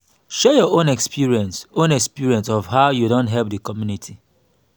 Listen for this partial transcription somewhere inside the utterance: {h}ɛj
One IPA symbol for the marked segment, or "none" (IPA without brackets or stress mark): ʃ